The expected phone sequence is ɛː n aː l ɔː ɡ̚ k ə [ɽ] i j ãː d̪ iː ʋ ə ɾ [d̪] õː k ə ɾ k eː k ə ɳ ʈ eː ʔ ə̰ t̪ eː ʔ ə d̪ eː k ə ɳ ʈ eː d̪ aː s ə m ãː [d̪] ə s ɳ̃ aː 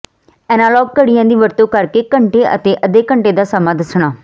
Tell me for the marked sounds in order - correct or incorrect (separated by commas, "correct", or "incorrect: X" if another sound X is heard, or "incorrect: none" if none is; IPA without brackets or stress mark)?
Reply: correct, incorrect: t̪, correct